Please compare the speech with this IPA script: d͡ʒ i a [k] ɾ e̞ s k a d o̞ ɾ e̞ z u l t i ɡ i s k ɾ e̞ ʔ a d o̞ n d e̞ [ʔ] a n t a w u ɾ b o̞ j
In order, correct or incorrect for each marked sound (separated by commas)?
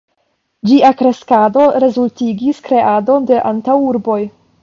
correct, correct